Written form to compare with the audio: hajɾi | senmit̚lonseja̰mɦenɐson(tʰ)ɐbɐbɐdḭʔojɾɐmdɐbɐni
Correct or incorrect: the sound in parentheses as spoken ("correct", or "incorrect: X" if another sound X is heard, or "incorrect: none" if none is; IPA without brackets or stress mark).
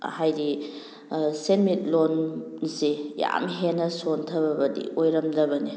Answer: correct